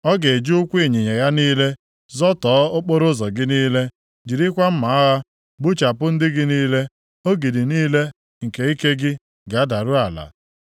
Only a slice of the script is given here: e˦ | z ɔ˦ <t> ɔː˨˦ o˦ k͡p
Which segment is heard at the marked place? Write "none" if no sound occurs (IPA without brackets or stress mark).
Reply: t